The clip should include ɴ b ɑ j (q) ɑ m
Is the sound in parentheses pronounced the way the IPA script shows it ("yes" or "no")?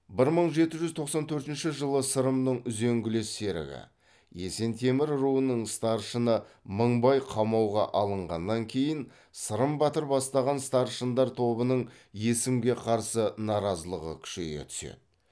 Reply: no